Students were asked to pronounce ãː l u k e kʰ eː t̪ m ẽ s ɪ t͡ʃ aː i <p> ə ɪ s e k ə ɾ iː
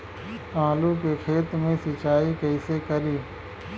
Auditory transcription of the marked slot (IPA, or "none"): k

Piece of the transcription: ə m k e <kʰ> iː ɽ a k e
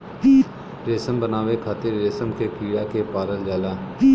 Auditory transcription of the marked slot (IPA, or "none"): k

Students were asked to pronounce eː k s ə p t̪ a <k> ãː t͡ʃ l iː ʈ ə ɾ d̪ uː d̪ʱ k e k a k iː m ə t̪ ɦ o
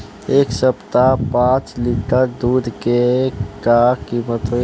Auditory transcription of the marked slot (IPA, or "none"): p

